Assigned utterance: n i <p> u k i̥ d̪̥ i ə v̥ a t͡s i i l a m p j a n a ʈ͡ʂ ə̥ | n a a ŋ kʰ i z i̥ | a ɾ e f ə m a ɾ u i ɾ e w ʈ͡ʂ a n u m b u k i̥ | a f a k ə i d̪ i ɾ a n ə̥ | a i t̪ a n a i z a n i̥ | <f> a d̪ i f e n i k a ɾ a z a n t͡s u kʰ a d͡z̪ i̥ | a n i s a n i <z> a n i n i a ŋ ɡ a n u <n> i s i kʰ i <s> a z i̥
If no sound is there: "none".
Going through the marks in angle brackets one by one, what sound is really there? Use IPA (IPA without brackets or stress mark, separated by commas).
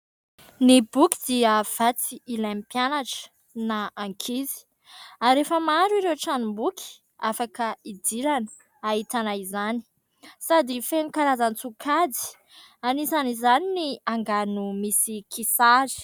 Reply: b, s, z, m, s